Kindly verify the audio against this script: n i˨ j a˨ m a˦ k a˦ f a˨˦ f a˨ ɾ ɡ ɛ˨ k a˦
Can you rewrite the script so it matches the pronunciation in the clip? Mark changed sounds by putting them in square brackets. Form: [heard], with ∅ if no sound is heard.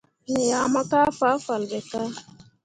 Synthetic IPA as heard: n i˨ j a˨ m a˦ k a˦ f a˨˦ f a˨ [l] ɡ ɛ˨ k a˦